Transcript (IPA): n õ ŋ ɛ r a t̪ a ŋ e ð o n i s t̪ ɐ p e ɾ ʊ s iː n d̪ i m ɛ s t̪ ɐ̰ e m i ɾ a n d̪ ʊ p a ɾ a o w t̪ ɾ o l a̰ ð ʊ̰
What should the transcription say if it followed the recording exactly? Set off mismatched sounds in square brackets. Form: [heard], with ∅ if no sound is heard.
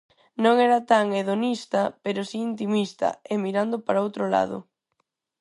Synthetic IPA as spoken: n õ ŋ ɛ [ɾ] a t̪ a ŋ e ð o n i s t̪ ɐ p e ɾ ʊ s iː n [t̪] i m [i] s t̪ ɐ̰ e m i ɾ a n d̪ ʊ p a ɾ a o w t̪ ɾ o l a̰ ð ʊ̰